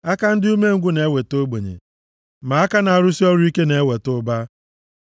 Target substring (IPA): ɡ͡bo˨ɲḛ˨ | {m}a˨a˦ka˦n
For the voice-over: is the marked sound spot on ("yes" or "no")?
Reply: yes